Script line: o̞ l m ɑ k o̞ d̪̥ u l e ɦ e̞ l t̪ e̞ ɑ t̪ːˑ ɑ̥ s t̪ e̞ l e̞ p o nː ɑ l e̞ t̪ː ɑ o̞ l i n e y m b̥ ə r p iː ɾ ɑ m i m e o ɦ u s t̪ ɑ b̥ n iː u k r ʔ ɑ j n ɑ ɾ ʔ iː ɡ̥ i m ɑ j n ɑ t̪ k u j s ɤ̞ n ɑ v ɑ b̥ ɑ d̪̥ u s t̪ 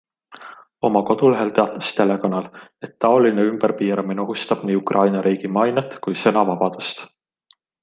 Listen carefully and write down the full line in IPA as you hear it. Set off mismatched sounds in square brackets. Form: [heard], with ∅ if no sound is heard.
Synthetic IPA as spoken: o̞ [∅] m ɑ k o̞ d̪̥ u l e ɦ e̞ l t̪ e̞ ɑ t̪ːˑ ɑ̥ s t̪ e̞ l e̞ [k] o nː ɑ l e̞ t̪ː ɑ o̞ l i n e y m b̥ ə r p iː ɾ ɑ m i [n] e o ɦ u s t̪ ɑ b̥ n iː u k r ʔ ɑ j n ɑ ɾ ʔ iː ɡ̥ i m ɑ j n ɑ t̪ k u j s ɤ̞ n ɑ v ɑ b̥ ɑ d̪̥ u s t̪